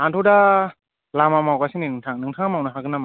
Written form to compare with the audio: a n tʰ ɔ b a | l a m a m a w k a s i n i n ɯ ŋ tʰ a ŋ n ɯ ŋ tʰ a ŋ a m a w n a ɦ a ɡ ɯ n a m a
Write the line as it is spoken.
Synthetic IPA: a n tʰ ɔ d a | l a m a m a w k a s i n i n ɯ ŋ tʰ a ŋ n ɯ ŋ tʰ a ŋ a m a w n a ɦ a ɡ ɯ n a m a